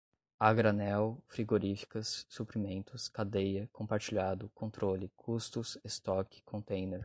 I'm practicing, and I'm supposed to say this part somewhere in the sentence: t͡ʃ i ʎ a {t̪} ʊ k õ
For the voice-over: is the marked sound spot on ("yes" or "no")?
no